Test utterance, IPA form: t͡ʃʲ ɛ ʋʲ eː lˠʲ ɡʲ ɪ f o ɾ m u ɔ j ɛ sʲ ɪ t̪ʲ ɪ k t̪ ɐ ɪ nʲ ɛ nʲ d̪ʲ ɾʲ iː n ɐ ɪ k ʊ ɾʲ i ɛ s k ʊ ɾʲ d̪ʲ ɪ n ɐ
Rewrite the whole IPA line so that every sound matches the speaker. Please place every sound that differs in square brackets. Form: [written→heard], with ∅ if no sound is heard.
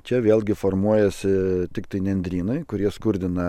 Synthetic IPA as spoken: t͡ʃʲ ɛ ʋʲ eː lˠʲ ɡʲ ɪ f o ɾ m u ɔ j ɛ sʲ ɪ t̪ʲ ɪ k t̪ ɐ ɪ nʲ ɛ nʲ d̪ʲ ɾʲ iː n ɐ ɪ k ʊ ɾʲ i ɛ s k ʊ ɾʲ d̪ʲ ɪ n ɐ